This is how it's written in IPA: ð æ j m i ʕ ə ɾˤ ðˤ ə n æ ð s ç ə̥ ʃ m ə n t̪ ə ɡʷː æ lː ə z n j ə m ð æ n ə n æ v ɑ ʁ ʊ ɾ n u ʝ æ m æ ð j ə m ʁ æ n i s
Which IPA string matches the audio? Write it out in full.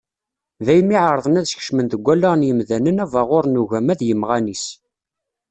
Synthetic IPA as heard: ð æ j m i ʕ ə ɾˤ ðˤ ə n æ ð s ç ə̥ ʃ m ə n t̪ ə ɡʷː æ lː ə ʁ n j ə m ð æ n ə n æ v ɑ ʁ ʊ ɾ n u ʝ æ m æ ð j ə m ʁ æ n i s